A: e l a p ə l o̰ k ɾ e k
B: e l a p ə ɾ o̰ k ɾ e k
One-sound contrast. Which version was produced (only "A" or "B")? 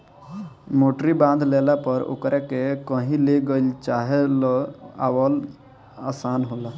B